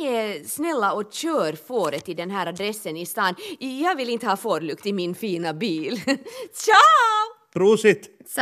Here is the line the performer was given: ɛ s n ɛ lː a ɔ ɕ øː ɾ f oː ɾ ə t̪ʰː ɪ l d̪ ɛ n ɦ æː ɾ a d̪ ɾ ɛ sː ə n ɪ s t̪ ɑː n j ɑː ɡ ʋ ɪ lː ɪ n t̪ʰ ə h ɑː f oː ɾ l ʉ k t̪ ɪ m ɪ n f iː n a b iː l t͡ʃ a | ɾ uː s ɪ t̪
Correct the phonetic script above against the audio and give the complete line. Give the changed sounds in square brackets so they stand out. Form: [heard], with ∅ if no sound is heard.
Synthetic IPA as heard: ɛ s n ɛ lː a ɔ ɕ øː ɾ f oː ɾ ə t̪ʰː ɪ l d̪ ɛ n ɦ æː ɾ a d̪ ɾ ɛ sː ə n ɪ s t̪ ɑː n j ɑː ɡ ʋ ɪ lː ɪ n [t̪] ə h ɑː f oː ɾ l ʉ k t̪ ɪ m ɪ n f iː n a b iː l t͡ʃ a | ɾ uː s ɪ t̪